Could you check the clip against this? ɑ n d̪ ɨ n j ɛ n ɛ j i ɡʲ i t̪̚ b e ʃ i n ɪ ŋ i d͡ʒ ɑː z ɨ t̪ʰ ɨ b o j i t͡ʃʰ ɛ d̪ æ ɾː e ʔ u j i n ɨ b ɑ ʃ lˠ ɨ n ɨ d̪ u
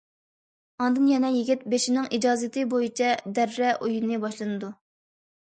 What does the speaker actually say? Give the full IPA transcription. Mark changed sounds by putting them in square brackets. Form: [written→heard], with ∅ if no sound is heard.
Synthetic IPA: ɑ n d̪ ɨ n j ɛ n ɛ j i ɡʲ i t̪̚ b e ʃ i n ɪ ŋ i d͡ʒ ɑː z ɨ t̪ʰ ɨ b o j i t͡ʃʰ ɛ d̪ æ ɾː [e→ɛ] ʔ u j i n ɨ b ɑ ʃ lˠ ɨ n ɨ d̪ u